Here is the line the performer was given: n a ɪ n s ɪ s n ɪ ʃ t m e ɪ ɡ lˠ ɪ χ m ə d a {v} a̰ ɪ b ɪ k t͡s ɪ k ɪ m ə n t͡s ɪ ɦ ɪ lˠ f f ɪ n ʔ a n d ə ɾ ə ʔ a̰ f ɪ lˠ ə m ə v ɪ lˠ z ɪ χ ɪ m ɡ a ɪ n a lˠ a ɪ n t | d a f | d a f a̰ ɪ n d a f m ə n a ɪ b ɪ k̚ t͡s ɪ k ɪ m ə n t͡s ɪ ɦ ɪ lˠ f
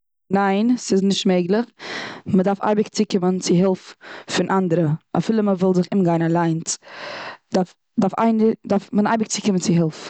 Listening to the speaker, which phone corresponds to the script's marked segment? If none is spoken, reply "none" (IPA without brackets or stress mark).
f